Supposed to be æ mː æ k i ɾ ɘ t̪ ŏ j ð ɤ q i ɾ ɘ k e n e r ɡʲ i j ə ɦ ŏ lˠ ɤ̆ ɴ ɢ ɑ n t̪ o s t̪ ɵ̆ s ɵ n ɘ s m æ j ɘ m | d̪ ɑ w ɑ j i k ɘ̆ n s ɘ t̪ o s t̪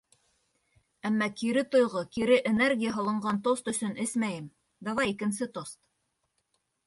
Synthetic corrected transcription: æ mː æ k i ɾ ɘ t̪ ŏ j ʁ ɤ k i ɾ ɘ ʔ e n e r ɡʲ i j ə ɦ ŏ lˠ ɤ̆ ɴ ɢ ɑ n t̪ o s t̪ ɵ̆ s ɵ n ɘ s m æ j ɘ m | d̪ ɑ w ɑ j i k ɘ̆ n s ɘ t̪ o s t̪

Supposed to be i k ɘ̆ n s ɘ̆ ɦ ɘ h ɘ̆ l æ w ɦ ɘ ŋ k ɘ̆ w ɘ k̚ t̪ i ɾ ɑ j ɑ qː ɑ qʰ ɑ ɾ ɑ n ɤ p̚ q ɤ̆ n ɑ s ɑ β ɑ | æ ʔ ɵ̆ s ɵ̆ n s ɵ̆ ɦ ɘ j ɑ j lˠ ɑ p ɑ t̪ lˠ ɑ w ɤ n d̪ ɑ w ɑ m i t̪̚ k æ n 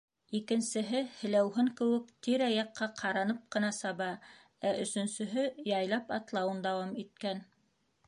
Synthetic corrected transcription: i k ɘ̆ n s ɘ̆ ɦ ɘ h ɘ̆ l æ w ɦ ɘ ŋ k ɘ̆ w ɘ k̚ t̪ i ɾ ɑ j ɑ qː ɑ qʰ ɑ ɾ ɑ n ɤ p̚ q ɤ̆ n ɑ s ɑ β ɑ | æ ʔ ɵ̆ s ɵ̆ n s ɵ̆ ɦ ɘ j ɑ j lˠ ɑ p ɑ t̪ lˠ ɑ w ɤ n d̪ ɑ w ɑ m i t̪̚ k æ n

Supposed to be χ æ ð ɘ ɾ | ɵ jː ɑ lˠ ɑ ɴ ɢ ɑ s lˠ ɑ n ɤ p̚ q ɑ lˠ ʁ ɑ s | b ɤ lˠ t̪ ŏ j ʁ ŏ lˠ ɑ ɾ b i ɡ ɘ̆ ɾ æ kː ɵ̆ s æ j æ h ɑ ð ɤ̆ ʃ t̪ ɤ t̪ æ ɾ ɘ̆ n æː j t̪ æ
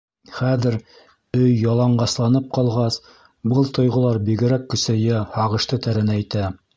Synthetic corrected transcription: χ æ ð ɘ ɾ | ɵ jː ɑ lˠ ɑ ɴ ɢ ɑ s lˠ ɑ n ɤ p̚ q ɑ lˠ ʁ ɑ s | b ɤ lˠ t̪ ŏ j ʁ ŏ lˠ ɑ ɾ b i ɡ ɘ̆ ɾ æ kː ɵ̆ s æ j æ h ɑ ʁ ɤ̆ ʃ t̪ ɤ t̪ æ ɾ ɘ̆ n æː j t̪ æ

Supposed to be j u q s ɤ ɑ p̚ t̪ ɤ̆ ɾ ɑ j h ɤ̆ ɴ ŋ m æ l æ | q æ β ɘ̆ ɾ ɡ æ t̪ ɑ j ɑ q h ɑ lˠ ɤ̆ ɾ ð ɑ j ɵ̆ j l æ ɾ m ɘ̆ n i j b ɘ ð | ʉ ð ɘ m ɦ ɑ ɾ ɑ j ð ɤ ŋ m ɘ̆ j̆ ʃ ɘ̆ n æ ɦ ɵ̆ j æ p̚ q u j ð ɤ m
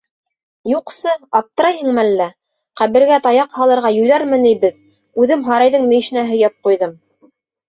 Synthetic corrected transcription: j u q s ɤ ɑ p̚ t̪ ɤ̆ ɾ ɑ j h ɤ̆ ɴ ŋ m æ lː æ | q æ β ɘ̆ ɾ ɡ æ t̪ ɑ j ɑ q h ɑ lˠ ɤ̆ ɾ ʁ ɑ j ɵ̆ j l æ ɾ m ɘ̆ n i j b ɘ ð | ʉ ð ɘ m ɦ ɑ ɾ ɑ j ð ɤ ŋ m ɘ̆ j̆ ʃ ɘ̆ n æ ɦ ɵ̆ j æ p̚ q u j ð ɤ m

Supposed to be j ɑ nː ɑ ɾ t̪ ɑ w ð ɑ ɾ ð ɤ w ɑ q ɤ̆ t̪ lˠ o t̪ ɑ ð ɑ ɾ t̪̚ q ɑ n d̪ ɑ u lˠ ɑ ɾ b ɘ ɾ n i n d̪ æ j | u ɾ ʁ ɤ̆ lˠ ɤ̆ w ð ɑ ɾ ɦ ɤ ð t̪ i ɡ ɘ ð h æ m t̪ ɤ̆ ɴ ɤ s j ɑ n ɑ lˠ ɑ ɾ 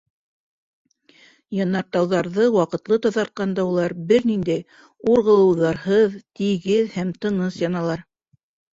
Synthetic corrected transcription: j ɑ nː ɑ ɾ t̪ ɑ w ð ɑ ɾ ð ɤ w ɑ q ɤ̆ t̪ lˠ ɤ t̪ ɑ ð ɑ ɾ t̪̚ q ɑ n d̪ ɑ u lˠ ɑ ɾ b ɘ ɾ n i n d̪ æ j | u ɾ ʁ ɤ̆ lˠ ɤ̆ w ð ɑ ɾ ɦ ɤ ð t̪ i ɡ ɘ ð h æ m t̪ ɤ̆ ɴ ɤ s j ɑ n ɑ lˠ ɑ ɾ

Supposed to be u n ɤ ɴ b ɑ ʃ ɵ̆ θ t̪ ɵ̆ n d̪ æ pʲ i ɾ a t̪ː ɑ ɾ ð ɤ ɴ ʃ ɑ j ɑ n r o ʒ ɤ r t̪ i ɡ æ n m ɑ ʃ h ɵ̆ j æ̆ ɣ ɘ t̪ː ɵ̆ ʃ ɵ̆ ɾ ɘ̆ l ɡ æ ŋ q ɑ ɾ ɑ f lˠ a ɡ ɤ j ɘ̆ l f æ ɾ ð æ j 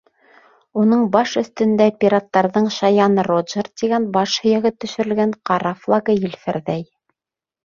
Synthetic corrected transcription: u n ɤ ɴ b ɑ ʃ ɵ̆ θ t̪ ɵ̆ n d̪ æ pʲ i ɾ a t̪ː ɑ ɾ ð ɤ ɴ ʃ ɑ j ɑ n r o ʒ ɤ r t̪ i ɡ æ n b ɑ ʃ h ɵ̆ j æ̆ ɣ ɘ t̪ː ɵ̆ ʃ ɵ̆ ɾ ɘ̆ l ɡ æ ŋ q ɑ ɾ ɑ f lˠ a ɡ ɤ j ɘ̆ l f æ ɾ ð æ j

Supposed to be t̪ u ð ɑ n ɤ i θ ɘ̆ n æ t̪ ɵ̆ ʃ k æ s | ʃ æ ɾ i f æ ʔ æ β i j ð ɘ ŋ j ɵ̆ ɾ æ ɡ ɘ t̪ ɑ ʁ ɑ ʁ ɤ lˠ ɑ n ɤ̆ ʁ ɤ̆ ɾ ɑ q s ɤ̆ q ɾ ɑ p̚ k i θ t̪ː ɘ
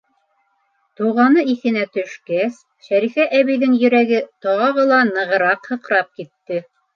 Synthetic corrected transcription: t̪ u ʁ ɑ n ɤ i θ ɘ̆ n æ t̪ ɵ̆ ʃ k æ s | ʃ æ ɾ i f æ ʔ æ β i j ð ɘ ŋ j ɵ̆ ɾ æ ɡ ɘ t̪ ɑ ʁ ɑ ʁ ɤ lˠ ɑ n ɤ̆ ʁ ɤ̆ ɾ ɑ q h ɤ̆ q ɾ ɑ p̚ k i t̪ː ɘ

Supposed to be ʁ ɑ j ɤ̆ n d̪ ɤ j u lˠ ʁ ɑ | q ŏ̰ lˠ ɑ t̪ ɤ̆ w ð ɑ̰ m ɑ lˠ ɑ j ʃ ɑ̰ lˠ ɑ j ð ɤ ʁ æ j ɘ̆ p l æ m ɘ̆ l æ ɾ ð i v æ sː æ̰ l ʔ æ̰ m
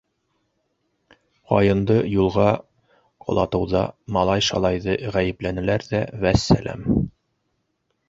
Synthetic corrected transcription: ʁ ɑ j ɤ̆ n d̪ ɤ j u lˠ ʁ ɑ | q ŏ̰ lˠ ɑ t̪ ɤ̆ w ð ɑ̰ m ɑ lˠ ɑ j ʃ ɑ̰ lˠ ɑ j ð ɤ ʁ æ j ɘ̆ p l æ n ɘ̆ l æ ɾ ð æ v æ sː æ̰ l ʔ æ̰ m

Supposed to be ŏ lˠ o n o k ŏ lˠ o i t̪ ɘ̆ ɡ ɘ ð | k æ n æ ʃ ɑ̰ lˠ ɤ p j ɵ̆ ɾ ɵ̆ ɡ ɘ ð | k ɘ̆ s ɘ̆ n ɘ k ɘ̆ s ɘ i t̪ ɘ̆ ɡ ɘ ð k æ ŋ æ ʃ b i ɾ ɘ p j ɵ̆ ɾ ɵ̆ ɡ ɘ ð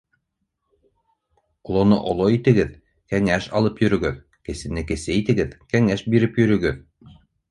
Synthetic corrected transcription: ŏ lˠ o n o ʔ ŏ lˠ o i t̪ ɘ̆ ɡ ɘ ð | k æ ŋ æ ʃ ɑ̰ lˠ ɤ p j ɵ̆ ɾ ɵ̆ ɡ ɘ ð | k ɘ̆ s ɘ̆ n ɘ k ɘ̆ s ɘ i t̪ ɘ̆ ɡ ɘ ð k æ ŋ æ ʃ b i ɾ ɘ p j ɵ̆ ɾ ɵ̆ ɡ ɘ ð

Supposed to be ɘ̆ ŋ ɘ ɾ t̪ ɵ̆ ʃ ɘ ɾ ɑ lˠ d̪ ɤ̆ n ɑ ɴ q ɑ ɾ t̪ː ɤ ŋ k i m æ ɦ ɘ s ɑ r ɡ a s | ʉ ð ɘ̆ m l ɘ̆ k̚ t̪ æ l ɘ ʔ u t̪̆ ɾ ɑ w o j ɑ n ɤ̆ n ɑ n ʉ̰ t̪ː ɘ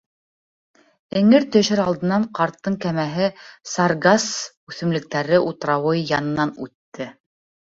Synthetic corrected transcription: ɘ̆ ŋ ɘ ɾ t̪ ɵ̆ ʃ ɘ ɾ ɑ lˠ d̪ ɤ̆ n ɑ ɴ q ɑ ɾ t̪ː ɤ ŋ k æ m æ ɦ ɘ s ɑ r ɡ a s | ʉ θ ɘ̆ m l ɘ̆ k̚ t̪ æ ɾ ɘ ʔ u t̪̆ ɾ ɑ w ɤ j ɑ n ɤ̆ n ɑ n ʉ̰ t̪ː ɘ

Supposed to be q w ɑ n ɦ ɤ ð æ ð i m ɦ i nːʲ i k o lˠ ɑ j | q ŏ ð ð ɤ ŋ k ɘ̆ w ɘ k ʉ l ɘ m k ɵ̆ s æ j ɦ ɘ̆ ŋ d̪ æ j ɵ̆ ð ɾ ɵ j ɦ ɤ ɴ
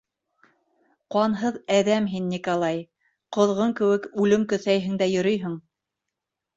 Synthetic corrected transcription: q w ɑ n ɦ ɤ ð æ ð æ m ɦ i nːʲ i k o lˠ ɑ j | q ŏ ð ʁ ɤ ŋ k ɘ̆ w ɘ k ʉ l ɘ m k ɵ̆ θ æ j ɦ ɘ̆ ŋ d̪ æ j ɵ̆ ɾ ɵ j ɦ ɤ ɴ

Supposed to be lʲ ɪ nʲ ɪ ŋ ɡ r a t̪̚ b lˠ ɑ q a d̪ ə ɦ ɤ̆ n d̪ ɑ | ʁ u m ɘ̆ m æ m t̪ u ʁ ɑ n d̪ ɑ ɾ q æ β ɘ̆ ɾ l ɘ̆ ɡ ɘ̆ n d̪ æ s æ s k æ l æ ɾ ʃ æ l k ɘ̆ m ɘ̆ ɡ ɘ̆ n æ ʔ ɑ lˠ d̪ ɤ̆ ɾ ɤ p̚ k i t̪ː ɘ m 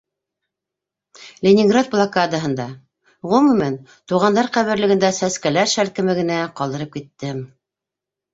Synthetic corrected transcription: lʲ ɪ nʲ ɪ ŋ ɡ r a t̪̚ b lˠ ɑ k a d̪ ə ɦ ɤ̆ n d̪ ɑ | ʁ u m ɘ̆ m æ n t̪ u ʁ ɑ n d̪ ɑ ɾ q æ β ɘ̆ ɾ l ɘ̆ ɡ ɘ̆ n d̪ æ s æ s k æ l æ ɾ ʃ æ l k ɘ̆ m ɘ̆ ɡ ɘ̆ n æ q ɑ lˠ d̪ ɤ̆ ɾ ɤ p̚ k i t̪ː ɘ m

